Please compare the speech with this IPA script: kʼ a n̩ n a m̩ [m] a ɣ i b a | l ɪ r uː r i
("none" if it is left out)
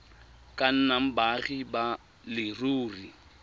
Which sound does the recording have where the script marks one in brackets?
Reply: b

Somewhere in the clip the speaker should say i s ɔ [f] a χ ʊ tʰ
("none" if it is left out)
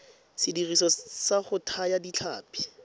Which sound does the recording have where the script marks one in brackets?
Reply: s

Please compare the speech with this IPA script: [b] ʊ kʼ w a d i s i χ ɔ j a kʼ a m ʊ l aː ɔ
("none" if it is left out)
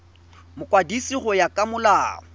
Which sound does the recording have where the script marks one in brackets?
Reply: m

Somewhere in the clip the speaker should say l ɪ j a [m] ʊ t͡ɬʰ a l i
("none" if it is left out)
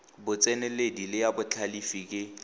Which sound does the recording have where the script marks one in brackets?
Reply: b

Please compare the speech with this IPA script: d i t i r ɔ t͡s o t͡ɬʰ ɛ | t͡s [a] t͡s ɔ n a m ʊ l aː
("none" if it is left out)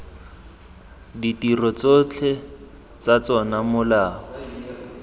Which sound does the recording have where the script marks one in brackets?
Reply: a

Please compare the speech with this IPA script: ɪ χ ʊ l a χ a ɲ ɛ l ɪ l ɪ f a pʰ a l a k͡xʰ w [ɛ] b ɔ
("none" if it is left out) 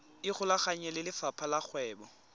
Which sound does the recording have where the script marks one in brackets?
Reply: ɛː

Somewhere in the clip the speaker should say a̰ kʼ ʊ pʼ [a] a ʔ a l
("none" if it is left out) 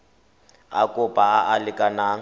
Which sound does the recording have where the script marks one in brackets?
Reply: a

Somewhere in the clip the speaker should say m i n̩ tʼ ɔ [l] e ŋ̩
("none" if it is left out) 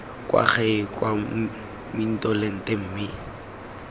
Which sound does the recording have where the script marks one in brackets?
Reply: l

